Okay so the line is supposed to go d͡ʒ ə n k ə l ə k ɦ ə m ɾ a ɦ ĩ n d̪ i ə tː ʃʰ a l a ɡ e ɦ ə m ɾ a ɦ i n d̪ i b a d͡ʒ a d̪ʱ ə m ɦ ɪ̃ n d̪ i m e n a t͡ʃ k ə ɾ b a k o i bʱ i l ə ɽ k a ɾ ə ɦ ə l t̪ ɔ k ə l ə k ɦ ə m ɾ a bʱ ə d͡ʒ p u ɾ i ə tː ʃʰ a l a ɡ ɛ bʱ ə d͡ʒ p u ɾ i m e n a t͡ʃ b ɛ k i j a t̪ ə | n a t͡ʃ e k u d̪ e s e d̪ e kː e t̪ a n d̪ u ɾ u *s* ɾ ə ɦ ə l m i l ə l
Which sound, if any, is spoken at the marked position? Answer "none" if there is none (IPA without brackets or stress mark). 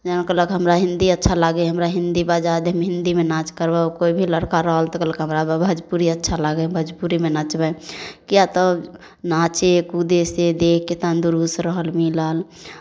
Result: s